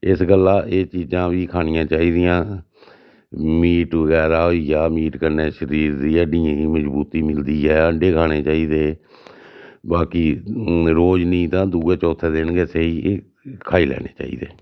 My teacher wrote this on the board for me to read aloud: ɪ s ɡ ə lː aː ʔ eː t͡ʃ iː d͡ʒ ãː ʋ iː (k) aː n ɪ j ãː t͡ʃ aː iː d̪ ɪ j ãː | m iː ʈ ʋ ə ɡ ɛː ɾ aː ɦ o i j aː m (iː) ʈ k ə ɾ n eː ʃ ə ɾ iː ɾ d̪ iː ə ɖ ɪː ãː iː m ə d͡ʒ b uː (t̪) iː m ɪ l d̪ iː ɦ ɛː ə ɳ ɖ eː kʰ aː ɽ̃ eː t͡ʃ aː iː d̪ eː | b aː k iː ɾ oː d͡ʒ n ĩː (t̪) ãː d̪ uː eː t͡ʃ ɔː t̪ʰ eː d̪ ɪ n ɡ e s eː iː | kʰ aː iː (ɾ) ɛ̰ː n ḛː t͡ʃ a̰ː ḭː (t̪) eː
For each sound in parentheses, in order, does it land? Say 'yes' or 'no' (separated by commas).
no, yes, yes, yes, no, no